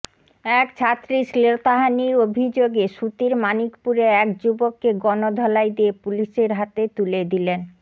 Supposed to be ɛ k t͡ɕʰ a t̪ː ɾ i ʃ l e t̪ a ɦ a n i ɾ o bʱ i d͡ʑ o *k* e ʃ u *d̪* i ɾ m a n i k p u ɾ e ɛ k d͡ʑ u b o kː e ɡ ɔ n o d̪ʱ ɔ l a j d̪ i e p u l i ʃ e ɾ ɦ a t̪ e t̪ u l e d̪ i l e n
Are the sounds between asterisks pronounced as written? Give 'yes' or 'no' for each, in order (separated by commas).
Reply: no, no